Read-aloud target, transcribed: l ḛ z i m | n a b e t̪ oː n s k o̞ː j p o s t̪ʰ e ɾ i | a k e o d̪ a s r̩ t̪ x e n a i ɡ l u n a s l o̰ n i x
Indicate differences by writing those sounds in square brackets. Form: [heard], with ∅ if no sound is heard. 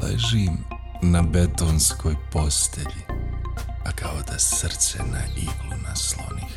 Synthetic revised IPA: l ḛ [ʒ] i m | n a b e t̪ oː n s k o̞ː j p o s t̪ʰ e [ʎ] i | a k [a] o d̪ a s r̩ t̪ [s] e n a i ɡ l u n a s l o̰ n i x